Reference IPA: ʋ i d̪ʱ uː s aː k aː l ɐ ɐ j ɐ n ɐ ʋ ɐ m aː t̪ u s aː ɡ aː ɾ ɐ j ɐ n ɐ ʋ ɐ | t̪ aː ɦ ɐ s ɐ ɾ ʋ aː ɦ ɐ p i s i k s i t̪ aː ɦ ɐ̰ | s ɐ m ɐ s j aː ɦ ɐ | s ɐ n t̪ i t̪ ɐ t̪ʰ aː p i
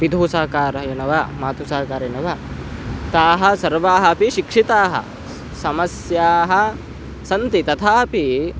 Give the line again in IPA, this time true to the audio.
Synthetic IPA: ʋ i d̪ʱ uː s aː k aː ɾ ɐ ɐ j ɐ n ɐ ʋ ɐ m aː t̪ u s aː k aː ɾ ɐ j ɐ n ɐ ʋ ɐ | t̪ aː ɦ ɐ s ɐ ɾ ʋ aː ɦ ɐ p i ʃ i k ʂ i t̪ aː ɦ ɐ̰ | s ɐ m ɐ s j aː ɦ ɐ | s ɐ n t̪ i t̪ ɐ t̪ʰ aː p i